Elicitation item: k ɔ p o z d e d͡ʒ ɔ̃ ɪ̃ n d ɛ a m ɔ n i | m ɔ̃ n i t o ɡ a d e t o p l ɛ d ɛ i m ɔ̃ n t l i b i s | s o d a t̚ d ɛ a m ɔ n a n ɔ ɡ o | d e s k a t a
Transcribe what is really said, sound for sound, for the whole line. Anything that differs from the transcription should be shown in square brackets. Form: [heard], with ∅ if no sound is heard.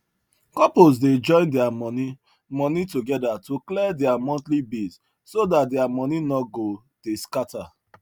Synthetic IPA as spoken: k ɔ p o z d e d͡ʒ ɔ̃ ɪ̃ n d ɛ a m ɔ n i | m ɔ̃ n i t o ɡ [ɛ] d [a] t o [k] l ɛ d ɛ [a] m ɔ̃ n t l i b i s | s o d a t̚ d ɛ a m ɔ n [i] n ɔ ɡ o | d e s k a t a

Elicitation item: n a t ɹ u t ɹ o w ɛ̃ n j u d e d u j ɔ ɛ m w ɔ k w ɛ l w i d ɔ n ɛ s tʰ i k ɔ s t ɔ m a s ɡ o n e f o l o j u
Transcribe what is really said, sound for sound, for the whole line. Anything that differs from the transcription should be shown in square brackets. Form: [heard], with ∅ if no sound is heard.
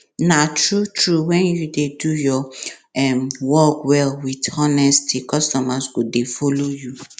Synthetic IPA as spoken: n a t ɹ u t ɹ [u] w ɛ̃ n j u d e d u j ɔ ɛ m w ɔ k w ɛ l w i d ɔ n ɛ s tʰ i k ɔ s t ɔ m a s ɡ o [d] e f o l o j u

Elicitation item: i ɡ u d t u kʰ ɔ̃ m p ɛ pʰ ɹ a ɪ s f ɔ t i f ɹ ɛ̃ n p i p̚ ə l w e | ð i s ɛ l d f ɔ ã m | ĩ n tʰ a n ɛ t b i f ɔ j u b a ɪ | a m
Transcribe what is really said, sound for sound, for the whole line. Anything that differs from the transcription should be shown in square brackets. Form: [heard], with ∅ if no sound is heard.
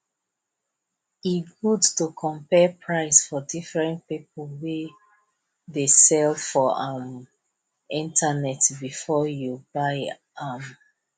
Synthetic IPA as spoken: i ɡ u d t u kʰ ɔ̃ m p ɛ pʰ ɹ a ɪ s f ɔ [d] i f ɹ ɛ̃ n p i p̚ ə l w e | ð [e] s ɛ l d f ɔ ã m | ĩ n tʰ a n ɛ t b i f ɔ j u b a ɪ | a m

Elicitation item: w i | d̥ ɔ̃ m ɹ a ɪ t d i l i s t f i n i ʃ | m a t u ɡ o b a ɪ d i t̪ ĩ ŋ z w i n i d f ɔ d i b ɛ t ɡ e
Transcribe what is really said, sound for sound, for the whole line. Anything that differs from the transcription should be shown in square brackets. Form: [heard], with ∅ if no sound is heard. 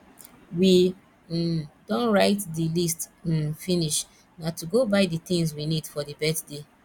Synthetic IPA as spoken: w i | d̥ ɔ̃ [n] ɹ a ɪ t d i l i s t f i n i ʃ | [n] a t u ɡ o b a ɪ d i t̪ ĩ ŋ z w i n i d f ɔ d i b ɛ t [d] e

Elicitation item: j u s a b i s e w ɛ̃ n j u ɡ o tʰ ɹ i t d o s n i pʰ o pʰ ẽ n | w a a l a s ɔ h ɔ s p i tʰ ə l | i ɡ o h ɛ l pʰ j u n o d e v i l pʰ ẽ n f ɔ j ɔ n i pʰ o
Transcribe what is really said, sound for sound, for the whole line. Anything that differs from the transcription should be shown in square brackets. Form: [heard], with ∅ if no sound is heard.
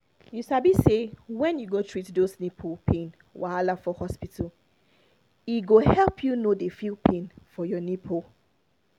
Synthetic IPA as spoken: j u s a b i s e w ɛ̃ n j u ɡ o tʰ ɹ i t d o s n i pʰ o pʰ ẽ n | w a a l a [f] ɔ h ɔ s p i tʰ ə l | i ɡ o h ɛ l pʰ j u n o d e [f] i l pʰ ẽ n f ɔ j ɔ n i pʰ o

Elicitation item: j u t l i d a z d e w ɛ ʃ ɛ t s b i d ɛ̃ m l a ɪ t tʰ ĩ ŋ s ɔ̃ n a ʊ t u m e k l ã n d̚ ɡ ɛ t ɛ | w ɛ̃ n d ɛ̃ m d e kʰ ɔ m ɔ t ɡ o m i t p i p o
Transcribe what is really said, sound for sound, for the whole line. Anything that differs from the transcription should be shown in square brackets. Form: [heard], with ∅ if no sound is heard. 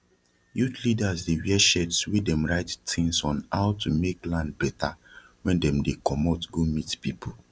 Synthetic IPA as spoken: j u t l i d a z d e w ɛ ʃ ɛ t s [w] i d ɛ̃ m [ɹ] a ɪ t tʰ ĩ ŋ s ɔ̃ n a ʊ t u m e k l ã n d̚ [b] ɛ t [a] | w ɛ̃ n d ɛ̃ m d e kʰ ɔ m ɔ t ɡ o m i t p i p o

